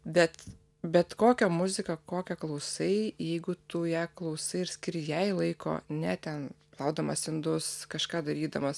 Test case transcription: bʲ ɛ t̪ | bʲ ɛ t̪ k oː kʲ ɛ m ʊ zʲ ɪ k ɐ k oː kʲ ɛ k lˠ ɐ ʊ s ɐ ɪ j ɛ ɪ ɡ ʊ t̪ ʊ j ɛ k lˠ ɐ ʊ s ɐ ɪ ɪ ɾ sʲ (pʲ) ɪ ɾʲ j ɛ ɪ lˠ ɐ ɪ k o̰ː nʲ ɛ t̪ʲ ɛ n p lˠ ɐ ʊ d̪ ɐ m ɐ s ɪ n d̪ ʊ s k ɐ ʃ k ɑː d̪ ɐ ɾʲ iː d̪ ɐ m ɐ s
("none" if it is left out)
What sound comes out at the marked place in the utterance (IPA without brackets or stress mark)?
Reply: kʲ